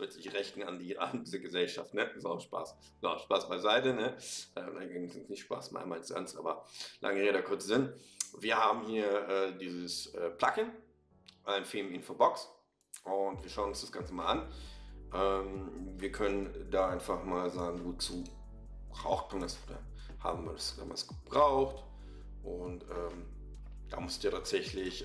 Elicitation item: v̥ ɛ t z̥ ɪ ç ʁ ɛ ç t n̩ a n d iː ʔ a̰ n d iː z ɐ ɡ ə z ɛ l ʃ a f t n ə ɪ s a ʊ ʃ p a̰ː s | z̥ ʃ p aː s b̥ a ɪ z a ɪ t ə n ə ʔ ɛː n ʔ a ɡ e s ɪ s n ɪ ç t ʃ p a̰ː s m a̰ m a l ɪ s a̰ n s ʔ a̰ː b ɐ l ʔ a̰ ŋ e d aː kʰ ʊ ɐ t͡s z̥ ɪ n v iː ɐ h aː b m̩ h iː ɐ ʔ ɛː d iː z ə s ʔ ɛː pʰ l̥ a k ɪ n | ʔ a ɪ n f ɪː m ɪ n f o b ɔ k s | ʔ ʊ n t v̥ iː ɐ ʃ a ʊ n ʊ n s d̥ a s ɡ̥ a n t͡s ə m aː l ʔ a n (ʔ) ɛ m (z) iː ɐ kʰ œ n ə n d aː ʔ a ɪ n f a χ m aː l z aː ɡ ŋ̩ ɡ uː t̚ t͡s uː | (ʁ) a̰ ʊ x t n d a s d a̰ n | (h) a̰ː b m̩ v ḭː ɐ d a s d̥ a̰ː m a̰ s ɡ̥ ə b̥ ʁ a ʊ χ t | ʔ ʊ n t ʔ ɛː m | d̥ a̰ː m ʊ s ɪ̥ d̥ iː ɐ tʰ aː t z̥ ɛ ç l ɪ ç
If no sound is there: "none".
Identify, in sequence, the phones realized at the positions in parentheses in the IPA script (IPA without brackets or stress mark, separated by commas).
ʔ, v, ʁ, h